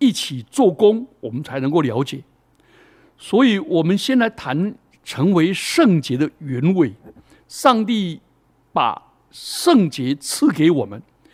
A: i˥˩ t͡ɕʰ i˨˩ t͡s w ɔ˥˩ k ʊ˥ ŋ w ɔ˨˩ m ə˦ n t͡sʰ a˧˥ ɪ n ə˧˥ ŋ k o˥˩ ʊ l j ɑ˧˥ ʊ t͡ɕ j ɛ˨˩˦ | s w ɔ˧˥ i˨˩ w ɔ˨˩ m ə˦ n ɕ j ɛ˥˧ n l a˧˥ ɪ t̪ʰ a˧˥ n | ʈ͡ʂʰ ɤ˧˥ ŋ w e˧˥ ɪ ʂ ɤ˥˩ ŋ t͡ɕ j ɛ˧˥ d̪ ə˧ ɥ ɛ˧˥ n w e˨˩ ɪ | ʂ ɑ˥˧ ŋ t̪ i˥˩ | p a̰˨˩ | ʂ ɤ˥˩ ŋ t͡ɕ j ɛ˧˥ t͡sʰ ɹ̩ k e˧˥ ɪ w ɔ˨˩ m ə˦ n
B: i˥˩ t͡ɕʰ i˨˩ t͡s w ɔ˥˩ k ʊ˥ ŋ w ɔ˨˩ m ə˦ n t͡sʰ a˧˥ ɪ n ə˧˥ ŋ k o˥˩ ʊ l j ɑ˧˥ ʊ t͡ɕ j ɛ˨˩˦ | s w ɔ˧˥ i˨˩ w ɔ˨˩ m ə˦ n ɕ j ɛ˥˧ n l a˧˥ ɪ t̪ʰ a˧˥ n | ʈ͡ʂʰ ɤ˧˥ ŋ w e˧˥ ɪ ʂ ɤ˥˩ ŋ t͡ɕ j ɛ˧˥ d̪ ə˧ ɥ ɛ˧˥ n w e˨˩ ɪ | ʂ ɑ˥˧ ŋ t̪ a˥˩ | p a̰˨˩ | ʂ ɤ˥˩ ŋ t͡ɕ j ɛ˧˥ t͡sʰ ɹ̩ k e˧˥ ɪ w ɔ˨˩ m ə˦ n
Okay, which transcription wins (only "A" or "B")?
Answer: A